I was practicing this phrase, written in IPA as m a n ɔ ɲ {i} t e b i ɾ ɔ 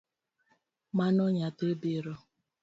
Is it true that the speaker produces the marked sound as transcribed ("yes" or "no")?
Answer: no